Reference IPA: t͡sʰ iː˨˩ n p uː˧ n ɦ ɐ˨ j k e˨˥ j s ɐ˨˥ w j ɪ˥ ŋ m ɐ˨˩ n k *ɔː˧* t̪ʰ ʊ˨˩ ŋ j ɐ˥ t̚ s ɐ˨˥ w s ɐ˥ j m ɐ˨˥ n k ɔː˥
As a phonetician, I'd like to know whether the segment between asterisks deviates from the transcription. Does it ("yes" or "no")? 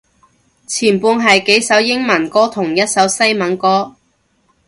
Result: yes